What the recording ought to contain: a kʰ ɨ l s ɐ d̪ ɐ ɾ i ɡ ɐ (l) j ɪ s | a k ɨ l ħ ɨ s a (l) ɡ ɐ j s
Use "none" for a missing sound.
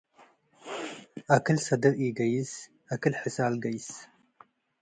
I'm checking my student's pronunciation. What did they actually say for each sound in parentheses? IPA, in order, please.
none, l

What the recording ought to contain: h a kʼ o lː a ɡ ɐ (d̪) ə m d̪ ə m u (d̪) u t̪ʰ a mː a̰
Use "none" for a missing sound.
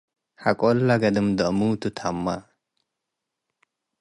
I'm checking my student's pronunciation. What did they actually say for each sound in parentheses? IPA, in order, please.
d̪, t̪

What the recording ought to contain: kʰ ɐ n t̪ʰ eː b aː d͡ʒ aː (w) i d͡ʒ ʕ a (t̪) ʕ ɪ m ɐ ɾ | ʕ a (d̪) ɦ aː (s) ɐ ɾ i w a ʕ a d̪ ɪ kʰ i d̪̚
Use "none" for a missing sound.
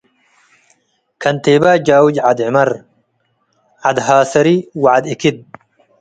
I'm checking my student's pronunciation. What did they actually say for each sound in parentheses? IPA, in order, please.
w, d̪, d̪, s

